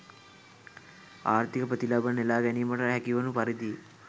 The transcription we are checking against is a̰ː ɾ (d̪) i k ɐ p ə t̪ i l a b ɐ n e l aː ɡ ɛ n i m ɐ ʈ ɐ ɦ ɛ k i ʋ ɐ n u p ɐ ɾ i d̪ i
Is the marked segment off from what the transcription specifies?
yes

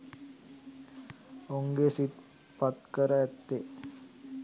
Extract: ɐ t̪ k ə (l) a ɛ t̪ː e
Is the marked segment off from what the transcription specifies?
yes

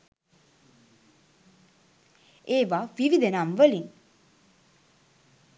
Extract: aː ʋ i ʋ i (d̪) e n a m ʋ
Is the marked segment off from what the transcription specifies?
no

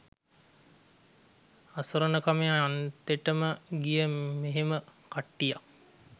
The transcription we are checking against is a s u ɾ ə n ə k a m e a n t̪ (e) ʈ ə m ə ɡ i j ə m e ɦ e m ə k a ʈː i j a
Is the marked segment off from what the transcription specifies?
no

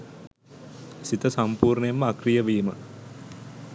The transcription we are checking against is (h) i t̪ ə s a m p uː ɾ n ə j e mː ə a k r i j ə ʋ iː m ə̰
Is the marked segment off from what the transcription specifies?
yes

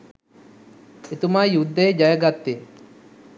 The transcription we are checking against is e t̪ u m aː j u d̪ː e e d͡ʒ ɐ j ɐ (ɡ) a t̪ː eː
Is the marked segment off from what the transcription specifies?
no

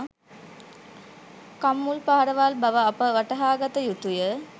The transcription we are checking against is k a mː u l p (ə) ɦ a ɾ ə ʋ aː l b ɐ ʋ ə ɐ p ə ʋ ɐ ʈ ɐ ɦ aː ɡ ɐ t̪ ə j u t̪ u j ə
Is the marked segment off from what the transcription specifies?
yes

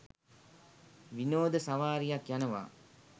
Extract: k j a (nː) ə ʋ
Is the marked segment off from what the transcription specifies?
yes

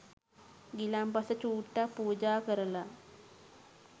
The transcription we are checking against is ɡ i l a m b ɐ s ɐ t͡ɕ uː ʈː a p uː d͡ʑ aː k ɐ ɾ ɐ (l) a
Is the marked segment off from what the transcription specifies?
no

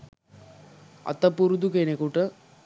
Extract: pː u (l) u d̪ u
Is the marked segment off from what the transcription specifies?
yes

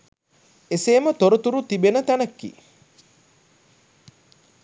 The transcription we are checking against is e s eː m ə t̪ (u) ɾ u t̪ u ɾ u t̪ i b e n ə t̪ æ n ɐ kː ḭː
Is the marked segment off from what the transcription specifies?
yes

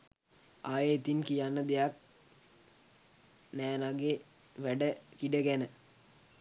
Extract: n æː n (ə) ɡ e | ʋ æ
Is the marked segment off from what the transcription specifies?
yes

